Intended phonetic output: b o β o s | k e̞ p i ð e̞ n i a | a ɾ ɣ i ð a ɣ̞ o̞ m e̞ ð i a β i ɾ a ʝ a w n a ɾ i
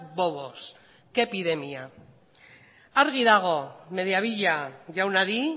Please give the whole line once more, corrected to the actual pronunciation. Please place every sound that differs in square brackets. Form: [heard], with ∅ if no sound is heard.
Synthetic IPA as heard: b o β o s | k e̞ p i ð e̞ [m] i a | a ɾ ɣ i ð a ɣ̞ o̞ m e̞ ð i a β i [ʎ] a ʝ a w n a ɾ i